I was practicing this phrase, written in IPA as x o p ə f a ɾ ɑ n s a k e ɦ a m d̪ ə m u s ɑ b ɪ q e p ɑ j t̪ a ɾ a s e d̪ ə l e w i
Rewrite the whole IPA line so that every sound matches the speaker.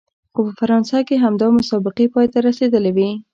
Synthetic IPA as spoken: x o p ə f a ɾ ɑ n s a k e ɦ a m d̪ ɑ m ʊ s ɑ b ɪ q e p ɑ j t̪ a ɾ a s e d̪ ə l e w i